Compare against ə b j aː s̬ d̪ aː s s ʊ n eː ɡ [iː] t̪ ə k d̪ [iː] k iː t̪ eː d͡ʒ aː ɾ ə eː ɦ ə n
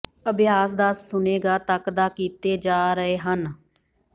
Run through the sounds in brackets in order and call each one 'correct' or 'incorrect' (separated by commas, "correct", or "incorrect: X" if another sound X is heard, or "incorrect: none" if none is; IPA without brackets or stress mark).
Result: incorrect: aː, incorrect: aː